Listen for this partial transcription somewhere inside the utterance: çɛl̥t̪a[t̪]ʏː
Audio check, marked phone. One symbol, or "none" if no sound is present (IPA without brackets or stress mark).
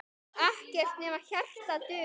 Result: t̪